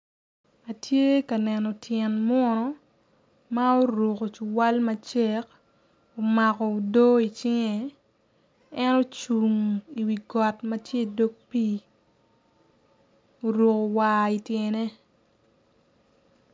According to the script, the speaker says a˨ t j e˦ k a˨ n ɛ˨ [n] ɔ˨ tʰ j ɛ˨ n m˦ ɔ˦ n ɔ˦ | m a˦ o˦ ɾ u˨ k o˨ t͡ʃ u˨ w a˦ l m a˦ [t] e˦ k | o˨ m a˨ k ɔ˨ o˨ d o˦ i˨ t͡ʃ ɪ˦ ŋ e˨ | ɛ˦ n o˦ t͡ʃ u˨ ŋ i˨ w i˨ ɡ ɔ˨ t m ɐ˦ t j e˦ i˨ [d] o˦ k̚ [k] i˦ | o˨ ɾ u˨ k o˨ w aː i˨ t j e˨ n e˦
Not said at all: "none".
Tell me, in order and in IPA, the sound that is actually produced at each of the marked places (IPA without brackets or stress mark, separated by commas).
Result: n, t͡ʃ, d, p